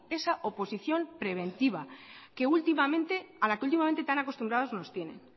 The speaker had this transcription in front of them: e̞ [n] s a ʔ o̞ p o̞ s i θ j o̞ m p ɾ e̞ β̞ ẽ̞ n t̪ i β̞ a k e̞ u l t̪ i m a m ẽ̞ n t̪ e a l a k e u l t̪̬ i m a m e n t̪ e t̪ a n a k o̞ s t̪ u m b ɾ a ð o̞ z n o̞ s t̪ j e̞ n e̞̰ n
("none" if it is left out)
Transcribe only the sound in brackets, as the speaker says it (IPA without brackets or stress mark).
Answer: none